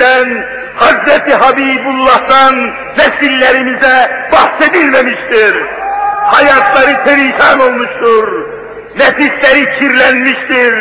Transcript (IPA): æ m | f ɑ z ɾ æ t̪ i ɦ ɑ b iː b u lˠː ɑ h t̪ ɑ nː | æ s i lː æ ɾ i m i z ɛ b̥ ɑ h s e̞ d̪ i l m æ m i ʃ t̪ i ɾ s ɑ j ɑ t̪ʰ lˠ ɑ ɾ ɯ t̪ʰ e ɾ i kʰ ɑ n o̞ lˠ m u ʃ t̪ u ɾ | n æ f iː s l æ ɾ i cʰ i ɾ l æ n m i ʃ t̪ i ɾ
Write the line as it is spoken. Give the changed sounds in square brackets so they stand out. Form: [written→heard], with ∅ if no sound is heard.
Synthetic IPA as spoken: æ [m→n] | [f→h] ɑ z ɾ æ t̪ i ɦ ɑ b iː b u lˠː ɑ h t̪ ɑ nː | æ s i lː æ ɾ i m i z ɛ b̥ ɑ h s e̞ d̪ i l m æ m i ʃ t̪ i ɾ [s→h] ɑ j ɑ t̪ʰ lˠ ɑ ɾ ɯ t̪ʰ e ɾ i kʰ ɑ n o̞ lˠ m u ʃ t̪ u ɾ | n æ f [iː→i] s l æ ɾ i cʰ i ɾ l æ n m i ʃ t̪ i ɾ